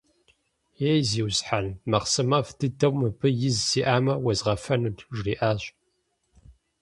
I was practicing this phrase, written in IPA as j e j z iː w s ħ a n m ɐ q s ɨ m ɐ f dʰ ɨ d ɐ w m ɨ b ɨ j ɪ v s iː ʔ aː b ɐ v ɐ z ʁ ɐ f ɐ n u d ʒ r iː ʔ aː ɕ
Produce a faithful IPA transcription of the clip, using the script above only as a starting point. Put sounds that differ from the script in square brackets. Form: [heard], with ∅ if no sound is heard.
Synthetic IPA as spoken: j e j z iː w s ħ a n m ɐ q s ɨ m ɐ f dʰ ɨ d ɐ w m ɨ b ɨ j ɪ [z] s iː ʔ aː [m] ɐ [w] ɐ z ʁ ɐ f ɐ n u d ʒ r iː ʔ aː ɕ